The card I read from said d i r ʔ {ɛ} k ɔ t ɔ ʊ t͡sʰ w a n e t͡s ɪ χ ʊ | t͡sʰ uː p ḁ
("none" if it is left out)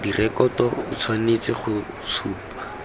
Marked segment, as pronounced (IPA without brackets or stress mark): ɛ